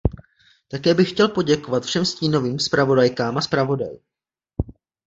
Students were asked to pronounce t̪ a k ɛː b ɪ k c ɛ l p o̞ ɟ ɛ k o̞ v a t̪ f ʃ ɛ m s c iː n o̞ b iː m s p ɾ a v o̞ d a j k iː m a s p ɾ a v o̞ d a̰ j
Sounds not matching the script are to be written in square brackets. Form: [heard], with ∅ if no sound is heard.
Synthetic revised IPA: t̪ a k ɛː b ɪ [x] c ɛ l p o̞ ɟ ɛ k o̞ v a t̪ f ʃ ɛ m s c iː n o̞ [v] iː m s p ɾ a v o̞ d a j k [aː] m a s p ɾ a v o̞ d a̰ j